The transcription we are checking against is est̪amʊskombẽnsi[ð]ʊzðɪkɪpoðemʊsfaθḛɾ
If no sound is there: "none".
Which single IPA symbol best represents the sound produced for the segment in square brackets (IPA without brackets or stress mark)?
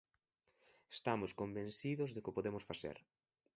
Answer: ð